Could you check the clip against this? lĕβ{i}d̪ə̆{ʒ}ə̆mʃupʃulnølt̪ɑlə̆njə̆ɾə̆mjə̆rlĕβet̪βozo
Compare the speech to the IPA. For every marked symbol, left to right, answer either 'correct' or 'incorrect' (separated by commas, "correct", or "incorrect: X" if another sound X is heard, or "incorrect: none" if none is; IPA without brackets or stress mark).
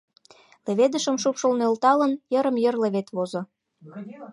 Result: incorrect: e, incorrect: ʃ